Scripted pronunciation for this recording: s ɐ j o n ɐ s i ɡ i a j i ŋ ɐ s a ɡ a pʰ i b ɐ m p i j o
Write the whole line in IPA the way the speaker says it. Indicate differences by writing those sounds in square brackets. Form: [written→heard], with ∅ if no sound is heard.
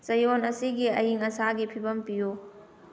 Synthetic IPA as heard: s ɐ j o n ɐ s i ɡ i [a→ɐ] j i ŋ ɐ s a ɡ [a→i] pʰ i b ɐ m p i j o